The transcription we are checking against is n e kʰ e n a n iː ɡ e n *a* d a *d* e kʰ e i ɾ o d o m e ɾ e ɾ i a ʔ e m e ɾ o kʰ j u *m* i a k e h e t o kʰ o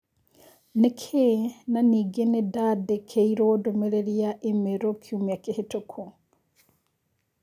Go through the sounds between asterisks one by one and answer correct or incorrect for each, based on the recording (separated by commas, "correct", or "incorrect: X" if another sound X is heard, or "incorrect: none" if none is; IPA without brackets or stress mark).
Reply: incorrect: e, correct, correct